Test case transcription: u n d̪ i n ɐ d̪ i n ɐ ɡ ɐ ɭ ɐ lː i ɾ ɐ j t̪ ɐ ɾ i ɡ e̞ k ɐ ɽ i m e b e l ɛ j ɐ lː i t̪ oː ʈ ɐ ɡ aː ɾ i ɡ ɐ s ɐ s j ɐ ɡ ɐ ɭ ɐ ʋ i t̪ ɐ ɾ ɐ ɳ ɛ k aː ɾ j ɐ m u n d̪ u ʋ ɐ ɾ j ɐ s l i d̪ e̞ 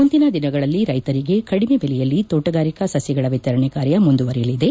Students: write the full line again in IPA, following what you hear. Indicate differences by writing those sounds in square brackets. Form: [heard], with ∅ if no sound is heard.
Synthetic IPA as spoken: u n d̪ i n ɐ d̪ i n ɐ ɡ ɐ ɭ ɐ lː i ɾ ɐ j t̪ ɐ ɾ i ɡ e̞ k ɐ ɽ i m e b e l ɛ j ɐ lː i t̪ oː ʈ ɐ ɡ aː ɾ i [k] ɐ s ɐ s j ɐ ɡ ɐ ɭ ɐ ʋ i t̪ ɐ ɾ ɐ ɳ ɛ k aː ɾ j ɐ m u n d̪ u ʋ ɐ ɾ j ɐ [∅] l i d̪ e̞

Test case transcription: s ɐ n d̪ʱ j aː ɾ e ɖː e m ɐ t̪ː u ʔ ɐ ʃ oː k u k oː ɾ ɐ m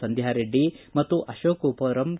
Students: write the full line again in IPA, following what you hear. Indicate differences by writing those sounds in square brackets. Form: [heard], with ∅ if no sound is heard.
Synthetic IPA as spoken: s ɐ n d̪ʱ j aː ɾ e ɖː [i] m ɐ t̪ː u ʔ ɐ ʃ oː k u [p] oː ɾ ɐ m

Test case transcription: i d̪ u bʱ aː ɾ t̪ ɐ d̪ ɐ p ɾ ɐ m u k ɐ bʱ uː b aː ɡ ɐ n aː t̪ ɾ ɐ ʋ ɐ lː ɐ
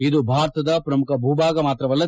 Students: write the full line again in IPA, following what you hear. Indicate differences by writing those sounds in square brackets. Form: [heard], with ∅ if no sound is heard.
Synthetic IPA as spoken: i d̪ u bʱ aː ɾ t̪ ɐ d̪ ɐ p ɾ ɐ m u k ɐ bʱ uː b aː ɡ ɐ [m] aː t̪ ɾ ɐ ʋ ɐ lː ɐ

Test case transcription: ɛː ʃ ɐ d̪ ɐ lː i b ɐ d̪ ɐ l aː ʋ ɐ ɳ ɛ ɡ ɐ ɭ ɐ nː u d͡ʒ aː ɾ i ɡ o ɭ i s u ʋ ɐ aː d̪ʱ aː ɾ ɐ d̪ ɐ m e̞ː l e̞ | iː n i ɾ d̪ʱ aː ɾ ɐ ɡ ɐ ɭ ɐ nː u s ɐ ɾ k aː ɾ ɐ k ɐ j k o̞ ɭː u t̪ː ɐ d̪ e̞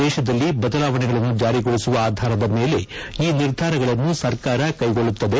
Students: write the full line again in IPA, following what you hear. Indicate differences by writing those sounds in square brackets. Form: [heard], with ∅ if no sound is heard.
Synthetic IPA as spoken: ɛː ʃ ɐ d̪ ɐ lː i b ɐ d̪ ɐ l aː ʋ ɐ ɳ ɛ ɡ ɐ ɭ ɐ nː u d͡ʒ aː ɾ i ɡ o ɭ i s u ʋ ɐ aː d̪ʱ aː ɾ ɐ d̪ ɐ m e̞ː l e̞ | iː n i ɾ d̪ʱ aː ɾ ɐ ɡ ɐ ɭ ɐ nː u s ɐ ɾ k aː ɾ ɐ k ɐ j [ɡ] o̞ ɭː u t̪ː ɐ d̪ e̞

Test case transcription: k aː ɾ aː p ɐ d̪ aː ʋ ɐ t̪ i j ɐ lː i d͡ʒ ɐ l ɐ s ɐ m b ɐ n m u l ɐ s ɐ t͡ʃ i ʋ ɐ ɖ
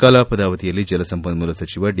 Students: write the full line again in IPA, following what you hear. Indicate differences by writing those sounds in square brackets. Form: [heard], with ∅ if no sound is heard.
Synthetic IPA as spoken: k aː [l] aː p ɐ d̪ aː ʋ ɐ t̪ i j ɐ lː i d͡ʒ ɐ l ɐ s ɐ m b ɐ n m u l ɐ s ɐ t͡ʃ i ʋ ɐ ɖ

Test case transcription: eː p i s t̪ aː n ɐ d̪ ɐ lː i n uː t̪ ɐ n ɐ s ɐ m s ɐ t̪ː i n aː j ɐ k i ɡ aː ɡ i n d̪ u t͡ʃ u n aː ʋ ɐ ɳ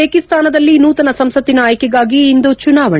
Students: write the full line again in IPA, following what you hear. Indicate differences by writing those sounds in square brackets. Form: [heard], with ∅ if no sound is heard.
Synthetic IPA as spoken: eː [k] i s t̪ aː n ɐ d̪ ɐ lː i n uː t̪ ɐ n ɐ s ɐ m s ɐ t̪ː i n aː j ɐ k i ɡ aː ɡ [iː] n d̪ u t͡ʃ u n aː ʋ ɐ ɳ

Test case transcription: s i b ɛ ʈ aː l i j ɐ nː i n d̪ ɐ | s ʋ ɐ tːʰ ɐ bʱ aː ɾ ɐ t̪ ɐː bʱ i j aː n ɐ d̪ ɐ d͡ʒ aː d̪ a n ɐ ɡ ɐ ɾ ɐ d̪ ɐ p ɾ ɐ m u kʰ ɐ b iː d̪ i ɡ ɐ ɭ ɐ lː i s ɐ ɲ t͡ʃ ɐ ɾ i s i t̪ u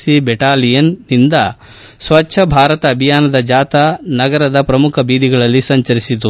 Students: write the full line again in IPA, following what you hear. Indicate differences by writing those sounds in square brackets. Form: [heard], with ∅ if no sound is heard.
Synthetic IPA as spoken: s i b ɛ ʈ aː l i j ɐ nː i n d̪ ɐ | s ʋ ɐ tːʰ ɐ bʱ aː ɾ ɐ t̪ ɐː bʱ i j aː n ɐ d̪ ɐ d͡ʒ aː [t̪] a n ɐ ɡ ɐ ɾ ɐ d̪ ɐ p ɾ ɐ m u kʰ ɐ b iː d̪ i ɡ ɐ ɭ ɐ lː i s ɐ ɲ t͡ʃ ɐ ɾ i s i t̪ u

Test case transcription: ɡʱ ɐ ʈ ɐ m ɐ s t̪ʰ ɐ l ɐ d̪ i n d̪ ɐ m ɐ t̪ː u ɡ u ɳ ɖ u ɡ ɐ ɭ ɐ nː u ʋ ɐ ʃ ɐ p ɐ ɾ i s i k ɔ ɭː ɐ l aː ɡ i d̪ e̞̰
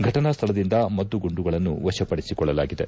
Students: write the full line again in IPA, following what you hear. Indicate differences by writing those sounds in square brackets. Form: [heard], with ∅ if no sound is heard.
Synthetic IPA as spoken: ɡʱ ɐ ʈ ɐ [n] ɐ s t̪ʰ ɐ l ɐ d̪ i n d̪ ɐ m ɐ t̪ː u ɡ u ɳ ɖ u ɡ ɐ ɭ ɐ nː u ʋ ɐ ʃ ɐ p ɐ [ɽ] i s i k ɔ ɭː ɐ l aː ɡ i d̪ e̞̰

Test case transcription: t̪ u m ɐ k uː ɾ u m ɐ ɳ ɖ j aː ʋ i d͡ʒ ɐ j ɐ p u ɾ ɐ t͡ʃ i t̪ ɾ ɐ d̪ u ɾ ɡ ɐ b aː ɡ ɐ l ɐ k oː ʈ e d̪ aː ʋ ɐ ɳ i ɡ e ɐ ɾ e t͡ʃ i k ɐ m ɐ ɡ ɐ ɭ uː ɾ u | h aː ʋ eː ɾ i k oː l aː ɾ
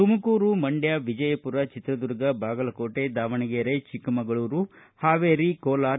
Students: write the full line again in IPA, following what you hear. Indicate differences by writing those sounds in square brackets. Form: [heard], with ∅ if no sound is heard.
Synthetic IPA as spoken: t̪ u m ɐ k uː ɾ u m ɐ ɳ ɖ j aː ʋ i d͡ʒ ɐ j ɐ p u ɾ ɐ t͡ʃ i t̪ ɾ ɐ d̪ u ɾ ɡ ɐ b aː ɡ ɐ l ɐ k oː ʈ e d̪ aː ʋ ɐ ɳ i ɡ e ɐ ɾ e t͡ʃ i k ɐ m ɐ ɡ ɐ ɭ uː ɾ u | h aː ʋ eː ɾ i k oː l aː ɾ

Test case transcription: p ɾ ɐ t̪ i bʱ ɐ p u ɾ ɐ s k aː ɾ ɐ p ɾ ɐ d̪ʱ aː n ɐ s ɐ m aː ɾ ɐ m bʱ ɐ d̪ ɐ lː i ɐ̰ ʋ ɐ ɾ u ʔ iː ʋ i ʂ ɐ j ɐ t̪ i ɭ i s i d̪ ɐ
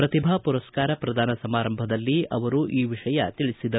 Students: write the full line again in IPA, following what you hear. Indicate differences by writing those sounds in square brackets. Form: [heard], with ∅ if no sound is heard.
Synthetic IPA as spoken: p ɾ ɐ t̪ i bʱ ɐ p u ɾ ɐ s k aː ɾ ɐ p ɾ ɐ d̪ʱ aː n ɐ s ɐ m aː ɾ ɐ m bʱ ɐ d̪ ɐ lː i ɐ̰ ʋ ɐ ɾ u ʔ iː ʋ i ʂ ɐ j ɐ t̪ i ɭ i s i d̪ ɐ

